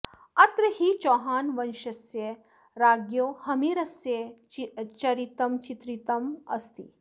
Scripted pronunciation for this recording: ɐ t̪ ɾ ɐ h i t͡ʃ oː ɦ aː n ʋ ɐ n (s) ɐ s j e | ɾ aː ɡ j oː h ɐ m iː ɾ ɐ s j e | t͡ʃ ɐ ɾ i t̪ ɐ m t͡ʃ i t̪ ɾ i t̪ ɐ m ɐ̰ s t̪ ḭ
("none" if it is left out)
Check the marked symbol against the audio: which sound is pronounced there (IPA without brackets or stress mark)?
ʃ